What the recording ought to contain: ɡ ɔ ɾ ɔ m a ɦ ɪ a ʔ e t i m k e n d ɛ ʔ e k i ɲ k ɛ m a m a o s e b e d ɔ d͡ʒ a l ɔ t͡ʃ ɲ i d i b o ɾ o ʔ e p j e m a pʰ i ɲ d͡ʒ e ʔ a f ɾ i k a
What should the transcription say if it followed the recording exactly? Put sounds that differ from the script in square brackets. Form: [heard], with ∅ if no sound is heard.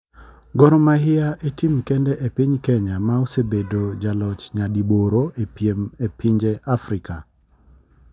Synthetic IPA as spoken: ɡ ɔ ɾ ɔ m a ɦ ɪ a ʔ e t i m k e n d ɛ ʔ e [p] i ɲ k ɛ [ɲ] a m a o s e b e d [o] d͡ʒ a l ɔ t͡ʃ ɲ [a] d i b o ɾ o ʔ e p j e m [e] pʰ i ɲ d͡ʒ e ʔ a f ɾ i k a